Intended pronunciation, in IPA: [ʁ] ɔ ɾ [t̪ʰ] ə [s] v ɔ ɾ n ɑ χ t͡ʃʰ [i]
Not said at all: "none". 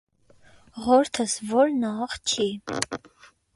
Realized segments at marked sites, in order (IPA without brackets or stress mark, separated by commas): ʁ, t̪ʰ, s, i